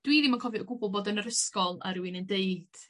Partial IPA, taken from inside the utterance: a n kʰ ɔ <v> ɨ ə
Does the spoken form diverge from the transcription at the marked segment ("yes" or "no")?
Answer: no